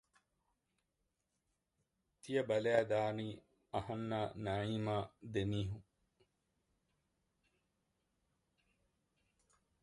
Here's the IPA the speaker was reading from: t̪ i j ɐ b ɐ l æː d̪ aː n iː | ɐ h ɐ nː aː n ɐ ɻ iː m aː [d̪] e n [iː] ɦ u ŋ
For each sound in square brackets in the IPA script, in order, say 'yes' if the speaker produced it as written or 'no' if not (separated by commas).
yes, yes